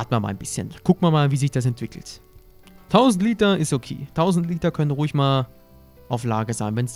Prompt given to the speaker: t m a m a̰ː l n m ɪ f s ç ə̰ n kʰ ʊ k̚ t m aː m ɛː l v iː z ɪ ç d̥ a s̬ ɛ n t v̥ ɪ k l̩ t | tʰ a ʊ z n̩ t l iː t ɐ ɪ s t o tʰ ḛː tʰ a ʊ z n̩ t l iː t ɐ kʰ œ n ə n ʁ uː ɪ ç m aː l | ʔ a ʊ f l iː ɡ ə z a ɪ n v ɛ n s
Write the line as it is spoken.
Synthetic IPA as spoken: t m a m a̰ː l n b ɪ s ç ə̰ n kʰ ʊ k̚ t m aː m aː l v iː z ɪ ç d̥ a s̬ ɛ n t v̥ ɪ k l̩ t | tʰ a ʊ z n̩ t l iː t ɐ ɪ s t o kʰ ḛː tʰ a ʊ z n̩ t l iː t ɐ kʰ œ n ə n ʁ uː ɪ ç m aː l | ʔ a ʊ f l aː ɡ ə z a ɪ n v ɛ n s